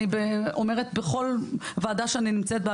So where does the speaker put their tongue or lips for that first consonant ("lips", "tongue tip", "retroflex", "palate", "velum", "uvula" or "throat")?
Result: lips